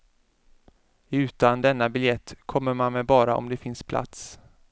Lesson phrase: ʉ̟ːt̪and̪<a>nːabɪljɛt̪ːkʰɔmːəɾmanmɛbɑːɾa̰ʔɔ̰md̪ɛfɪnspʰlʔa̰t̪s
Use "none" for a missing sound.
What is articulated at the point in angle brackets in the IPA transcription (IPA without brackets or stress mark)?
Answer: ɛ